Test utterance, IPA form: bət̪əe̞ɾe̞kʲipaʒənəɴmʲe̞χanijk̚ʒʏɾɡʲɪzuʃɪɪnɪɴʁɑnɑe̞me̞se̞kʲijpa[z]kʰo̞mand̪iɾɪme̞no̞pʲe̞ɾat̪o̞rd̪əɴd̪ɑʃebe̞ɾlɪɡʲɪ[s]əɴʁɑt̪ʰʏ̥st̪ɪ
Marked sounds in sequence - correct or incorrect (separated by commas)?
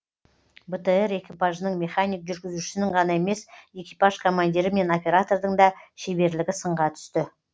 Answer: incorrect, correct